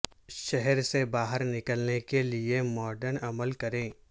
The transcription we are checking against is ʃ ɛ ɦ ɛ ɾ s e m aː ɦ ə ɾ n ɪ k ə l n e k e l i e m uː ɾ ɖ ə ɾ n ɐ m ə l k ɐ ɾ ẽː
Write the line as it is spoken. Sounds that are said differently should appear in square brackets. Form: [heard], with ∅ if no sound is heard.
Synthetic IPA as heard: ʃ ɛ ɦ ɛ ɾ s e [b] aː ɦ ə ɾ n ɪ k ə l n e k e l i e m [ɔː] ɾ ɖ ə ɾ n ɐ m ə l k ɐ ɾ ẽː